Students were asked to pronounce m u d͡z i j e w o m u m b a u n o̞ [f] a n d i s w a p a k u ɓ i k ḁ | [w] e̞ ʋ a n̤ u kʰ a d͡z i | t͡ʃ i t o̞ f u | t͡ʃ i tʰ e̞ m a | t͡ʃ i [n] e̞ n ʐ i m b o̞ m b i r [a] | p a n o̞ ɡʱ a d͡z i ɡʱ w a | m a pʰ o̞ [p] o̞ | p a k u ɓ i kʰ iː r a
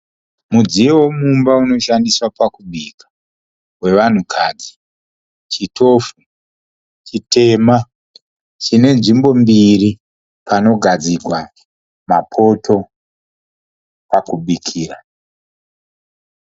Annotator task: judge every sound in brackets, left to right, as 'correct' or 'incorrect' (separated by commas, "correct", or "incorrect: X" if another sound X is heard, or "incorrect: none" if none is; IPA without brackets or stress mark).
incorrect: ʃ, correct, correct, incorrect: i, incorrect: t